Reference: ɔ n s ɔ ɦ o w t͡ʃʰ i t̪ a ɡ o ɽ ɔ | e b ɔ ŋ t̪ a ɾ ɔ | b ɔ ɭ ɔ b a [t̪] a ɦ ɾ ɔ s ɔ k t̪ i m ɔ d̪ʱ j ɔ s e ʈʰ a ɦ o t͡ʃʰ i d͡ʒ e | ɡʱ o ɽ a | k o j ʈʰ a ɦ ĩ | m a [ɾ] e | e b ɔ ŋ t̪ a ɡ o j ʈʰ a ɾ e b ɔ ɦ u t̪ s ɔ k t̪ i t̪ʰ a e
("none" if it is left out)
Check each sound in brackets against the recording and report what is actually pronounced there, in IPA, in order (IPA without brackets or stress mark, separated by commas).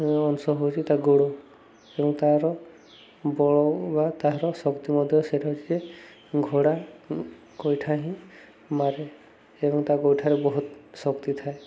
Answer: t̪, ɾ